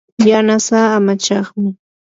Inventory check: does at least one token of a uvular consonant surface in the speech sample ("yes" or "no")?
yes